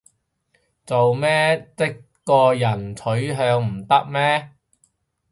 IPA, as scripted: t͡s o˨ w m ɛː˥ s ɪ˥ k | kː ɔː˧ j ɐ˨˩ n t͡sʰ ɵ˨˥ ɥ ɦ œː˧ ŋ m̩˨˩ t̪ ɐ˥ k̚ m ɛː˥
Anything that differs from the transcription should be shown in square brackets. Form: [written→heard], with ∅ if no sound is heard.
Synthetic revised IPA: t͡s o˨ w m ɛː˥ [s→t͡s] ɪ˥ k | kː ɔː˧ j ɐ˨˩ n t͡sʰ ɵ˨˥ ɥ ɦ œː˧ ŋ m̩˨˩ t̪ ɐ˥ k̚ m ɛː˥